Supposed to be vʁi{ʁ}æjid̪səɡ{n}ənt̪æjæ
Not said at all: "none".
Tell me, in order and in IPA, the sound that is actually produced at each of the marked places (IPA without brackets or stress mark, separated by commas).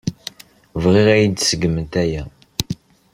ʁ, m